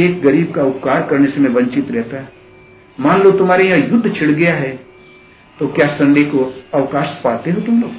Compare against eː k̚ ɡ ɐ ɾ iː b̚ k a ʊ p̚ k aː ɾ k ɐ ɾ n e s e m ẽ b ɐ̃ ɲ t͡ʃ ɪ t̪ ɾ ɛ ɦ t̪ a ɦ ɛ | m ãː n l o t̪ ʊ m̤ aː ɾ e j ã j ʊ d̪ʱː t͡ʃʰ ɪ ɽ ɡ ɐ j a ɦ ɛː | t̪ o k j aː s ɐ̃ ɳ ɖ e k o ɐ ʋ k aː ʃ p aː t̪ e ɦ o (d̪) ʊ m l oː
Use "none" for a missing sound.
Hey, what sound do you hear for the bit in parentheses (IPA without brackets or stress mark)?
t̪